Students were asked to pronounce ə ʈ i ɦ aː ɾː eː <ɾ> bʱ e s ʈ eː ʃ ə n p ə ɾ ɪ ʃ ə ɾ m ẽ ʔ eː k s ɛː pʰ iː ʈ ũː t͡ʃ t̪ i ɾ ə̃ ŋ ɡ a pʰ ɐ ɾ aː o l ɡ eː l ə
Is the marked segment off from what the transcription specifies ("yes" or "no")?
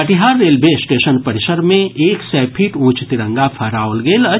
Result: yes